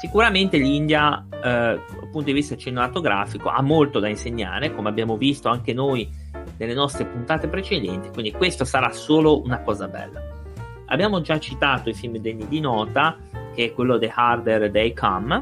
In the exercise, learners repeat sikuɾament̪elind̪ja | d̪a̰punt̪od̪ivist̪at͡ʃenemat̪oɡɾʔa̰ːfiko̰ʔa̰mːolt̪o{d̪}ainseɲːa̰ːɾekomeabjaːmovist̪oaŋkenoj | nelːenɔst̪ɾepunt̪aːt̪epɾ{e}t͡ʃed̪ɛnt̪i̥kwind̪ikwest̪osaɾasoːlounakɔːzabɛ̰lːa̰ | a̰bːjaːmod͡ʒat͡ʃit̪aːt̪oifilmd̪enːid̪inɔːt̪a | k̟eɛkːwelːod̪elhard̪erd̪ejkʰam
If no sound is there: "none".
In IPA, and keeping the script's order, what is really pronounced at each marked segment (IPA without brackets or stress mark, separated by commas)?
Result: d̪, e